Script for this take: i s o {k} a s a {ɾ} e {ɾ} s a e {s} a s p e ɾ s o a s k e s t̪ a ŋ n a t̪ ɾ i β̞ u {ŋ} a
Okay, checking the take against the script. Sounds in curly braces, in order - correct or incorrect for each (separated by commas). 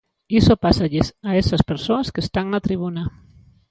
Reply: incorrect, incorrect, incorrect, correct, incorrect